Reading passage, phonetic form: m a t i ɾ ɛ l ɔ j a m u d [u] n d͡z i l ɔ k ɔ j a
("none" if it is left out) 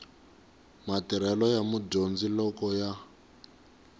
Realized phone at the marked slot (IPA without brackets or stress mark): o